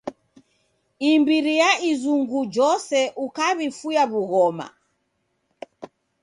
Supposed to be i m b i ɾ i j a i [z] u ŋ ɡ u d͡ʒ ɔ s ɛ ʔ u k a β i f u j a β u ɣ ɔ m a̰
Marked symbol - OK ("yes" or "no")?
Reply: yes